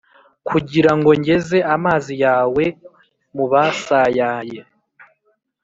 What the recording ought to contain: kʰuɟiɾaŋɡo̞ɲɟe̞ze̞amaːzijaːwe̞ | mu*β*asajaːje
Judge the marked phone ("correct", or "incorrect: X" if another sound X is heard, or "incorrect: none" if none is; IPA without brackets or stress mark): correct